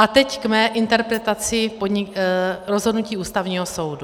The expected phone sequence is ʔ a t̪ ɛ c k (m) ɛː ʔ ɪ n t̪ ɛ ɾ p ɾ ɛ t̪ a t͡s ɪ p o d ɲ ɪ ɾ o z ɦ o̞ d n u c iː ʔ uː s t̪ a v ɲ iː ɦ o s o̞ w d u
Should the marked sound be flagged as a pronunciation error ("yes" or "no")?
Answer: no